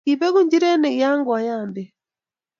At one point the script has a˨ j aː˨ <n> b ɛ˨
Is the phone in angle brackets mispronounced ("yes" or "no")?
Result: yes